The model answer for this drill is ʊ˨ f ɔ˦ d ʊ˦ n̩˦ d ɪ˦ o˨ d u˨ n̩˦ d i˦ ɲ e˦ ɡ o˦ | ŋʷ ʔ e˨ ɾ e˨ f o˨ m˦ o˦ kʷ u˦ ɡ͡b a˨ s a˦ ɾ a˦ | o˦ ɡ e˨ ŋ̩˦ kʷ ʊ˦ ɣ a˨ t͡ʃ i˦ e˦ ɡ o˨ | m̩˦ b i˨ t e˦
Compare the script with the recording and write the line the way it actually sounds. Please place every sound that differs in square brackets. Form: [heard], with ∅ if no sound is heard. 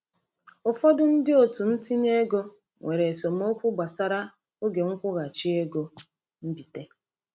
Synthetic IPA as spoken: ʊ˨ f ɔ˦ d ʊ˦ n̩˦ d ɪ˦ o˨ [t] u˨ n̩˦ [t] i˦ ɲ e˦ ɡ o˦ | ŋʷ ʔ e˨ ɾ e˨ [s] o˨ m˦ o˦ kʷ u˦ ɡ͡b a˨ s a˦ ɾ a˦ | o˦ ɡ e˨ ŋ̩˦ kʷ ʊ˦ ɣ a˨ t͡ʃ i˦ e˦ ɡ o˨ | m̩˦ b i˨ t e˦